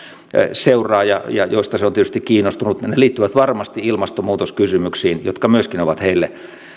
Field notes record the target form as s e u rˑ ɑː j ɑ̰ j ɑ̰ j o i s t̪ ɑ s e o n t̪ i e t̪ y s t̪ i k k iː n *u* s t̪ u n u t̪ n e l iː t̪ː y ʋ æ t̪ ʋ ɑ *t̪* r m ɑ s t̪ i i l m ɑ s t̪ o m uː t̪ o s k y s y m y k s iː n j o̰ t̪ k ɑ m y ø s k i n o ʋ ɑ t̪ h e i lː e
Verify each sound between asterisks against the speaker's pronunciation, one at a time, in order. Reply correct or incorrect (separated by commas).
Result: incorrect, incorrect